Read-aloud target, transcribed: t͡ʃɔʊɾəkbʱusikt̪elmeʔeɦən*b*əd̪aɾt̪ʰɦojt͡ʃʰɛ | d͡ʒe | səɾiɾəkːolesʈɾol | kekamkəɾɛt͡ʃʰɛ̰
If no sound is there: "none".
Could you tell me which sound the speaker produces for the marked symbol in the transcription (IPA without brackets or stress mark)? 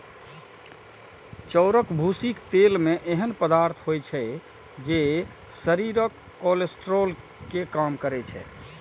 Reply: p